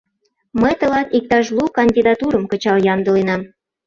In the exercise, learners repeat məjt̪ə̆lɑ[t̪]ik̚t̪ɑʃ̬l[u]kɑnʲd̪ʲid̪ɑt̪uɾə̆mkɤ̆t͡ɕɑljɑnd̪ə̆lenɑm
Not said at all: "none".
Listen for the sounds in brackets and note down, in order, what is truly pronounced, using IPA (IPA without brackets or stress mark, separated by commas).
t̪, u